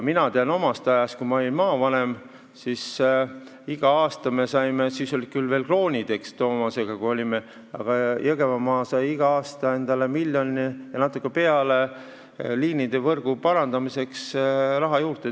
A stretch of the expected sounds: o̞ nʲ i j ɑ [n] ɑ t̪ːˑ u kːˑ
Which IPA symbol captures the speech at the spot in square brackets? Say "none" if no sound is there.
n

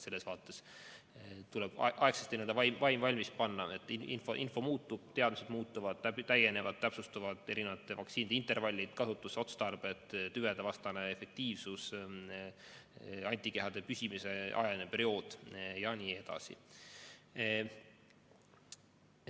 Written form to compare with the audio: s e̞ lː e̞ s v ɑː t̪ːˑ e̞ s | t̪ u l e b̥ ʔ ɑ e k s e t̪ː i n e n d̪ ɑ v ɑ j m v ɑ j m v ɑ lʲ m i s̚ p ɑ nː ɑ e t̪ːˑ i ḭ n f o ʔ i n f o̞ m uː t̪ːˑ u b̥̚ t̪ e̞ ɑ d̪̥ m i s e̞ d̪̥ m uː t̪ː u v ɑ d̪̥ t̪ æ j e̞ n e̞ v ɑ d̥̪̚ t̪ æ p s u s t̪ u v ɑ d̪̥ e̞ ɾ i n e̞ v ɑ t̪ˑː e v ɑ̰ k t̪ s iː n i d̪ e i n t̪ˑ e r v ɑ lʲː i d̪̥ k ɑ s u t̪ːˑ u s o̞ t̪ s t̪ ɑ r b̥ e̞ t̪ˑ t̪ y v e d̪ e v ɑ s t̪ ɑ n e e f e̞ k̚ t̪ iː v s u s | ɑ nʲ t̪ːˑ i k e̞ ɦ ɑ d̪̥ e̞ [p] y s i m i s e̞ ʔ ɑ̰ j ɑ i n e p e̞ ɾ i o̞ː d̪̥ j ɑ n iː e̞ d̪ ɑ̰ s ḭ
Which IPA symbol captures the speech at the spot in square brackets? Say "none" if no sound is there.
p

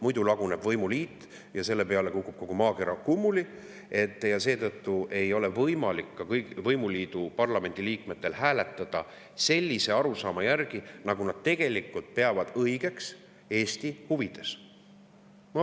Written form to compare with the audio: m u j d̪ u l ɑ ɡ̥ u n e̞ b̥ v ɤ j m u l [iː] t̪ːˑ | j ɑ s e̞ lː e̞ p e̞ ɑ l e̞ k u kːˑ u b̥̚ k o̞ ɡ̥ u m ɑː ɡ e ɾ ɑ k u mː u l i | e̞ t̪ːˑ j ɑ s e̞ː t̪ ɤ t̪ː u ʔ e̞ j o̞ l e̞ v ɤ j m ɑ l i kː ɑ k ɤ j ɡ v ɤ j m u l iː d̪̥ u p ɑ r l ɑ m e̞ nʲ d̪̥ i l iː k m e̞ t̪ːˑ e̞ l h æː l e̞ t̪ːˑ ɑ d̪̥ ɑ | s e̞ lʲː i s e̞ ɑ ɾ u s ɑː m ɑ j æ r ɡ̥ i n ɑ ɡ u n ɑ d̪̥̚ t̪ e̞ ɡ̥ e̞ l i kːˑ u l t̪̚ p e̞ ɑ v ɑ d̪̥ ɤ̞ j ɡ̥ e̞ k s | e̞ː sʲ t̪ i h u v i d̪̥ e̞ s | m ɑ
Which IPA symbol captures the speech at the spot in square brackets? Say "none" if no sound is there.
iː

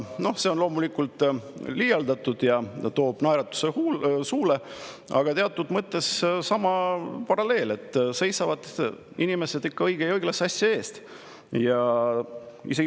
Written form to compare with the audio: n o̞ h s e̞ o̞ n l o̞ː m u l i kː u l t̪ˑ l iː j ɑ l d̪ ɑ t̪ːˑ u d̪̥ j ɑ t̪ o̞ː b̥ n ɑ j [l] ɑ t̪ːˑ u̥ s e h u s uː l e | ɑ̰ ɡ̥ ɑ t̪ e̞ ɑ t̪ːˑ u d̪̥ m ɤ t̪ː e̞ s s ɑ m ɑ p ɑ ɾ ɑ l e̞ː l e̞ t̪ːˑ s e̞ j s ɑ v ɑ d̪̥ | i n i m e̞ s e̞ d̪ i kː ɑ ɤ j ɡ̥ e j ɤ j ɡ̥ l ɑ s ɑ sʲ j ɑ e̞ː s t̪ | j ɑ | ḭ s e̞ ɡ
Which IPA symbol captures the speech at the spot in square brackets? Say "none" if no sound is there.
ɾ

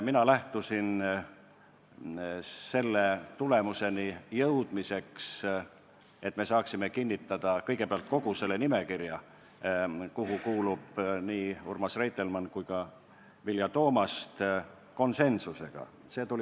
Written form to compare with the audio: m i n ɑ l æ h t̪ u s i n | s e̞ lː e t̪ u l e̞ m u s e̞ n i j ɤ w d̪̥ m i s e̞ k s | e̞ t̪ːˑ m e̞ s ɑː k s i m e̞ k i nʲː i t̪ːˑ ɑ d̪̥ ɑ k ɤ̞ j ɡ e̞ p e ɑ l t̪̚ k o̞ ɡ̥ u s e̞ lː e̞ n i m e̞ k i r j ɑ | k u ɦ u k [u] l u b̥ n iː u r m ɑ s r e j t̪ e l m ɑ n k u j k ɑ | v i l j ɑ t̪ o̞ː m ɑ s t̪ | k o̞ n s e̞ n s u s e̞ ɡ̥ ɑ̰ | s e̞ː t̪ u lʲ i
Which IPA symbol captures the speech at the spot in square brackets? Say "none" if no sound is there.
uː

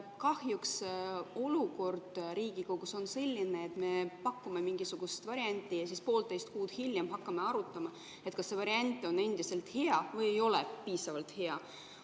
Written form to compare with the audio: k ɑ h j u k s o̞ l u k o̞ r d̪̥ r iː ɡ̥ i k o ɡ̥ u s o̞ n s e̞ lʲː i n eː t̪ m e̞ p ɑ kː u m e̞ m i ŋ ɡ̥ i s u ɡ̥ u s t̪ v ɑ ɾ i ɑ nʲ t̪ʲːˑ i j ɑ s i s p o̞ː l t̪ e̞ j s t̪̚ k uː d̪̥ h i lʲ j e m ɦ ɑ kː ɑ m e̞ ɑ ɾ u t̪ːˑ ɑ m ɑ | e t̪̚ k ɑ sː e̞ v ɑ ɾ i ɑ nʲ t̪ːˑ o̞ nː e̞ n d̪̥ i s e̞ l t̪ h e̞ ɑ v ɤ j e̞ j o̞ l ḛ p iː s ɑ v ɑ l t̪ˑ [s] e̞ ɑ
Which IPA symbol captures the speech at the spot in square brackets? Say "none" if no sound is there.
h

